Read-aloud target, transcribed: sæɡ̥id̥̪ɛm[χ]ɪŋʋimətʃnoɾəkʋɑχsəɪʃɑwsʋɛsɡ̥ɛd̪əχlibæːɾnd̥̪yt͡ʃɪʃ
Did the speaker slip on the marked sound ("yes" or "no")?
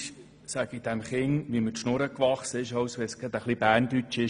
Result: no